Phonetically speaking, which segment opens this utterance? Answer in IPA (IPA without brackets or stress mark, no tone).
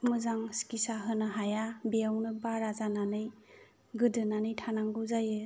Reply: m